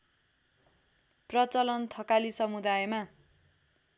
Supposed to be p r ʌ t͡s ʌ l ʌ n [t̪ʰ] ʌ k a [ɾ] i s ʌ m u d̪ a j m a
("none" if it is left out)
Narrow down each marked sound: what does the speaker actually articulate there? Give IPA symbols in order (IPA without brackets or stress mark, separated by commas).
t̪ʰ, l